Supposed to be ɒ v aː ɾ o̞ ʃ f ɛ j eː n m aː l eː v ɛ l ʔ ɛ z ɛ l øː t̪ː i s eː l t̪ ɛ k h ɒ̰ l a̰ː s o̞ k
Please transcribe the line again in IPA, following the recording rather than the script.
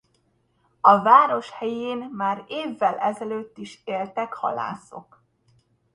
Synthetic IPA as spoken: ɒ v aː ɾ o̞ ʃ h ɛ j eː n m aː ɾ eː vː ɛ l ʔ ɛ z ɛ l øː t̪ː i ʃ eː l t̪ ɛ k h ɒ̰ l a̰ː s o̞ k